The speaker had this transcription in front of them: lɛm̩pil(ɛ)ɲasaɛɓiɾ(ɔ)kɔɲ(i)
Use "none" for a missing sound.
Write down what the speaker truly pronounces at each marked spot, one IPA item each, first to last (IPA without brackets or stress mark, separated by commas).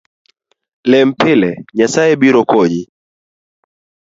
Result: ɛ, ɔ, i